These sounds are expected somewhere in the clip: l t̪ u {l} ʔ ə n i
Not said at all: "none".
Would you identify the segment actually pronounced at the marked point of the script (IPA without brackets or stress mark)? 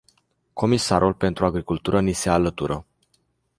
ɾ